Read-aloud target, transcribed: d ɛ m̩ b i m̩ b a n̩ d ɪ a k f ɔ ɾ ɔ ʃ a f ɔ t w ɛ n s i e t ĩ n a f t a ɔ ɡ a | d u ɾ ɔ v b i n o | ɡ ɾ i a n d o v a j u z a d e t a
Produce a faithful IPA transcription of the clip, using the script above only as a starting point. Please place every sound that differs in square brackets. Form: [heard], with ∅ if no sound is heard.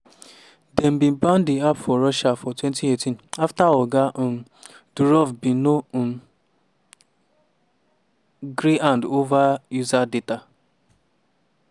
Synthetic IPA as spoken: d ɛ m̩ b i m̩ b a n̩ d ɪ a [p] f ɔ ɾ ɔ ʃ a f ɔ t w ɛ n [t] i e t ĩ n a f t a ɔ ɡ a | d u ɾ ɔ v b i n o | ɡ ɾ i a n d o v a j u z a d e t a